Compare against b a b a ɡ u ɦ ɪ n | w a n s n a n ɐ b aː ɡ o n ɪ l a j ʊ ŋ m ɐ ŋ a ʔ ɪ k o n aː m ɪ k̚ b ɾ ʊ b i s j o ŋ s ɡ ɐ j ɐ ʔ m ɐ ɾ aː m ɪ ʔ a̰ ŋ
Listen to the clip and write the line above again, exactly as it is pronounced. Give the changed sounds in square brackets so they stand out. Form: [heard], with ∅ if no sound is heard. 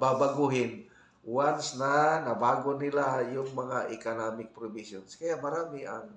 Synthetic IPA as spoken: b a b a ɡ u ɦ ɪ n | w a n s n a n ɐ b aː ɡ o n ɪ l a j ʊ ŋ m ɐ ŋ a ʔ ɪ k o n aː m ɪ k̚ [p] ɾ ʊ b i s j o [n] s [k] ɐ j [a] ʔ m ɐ ɾ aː m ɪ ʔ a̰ ŋ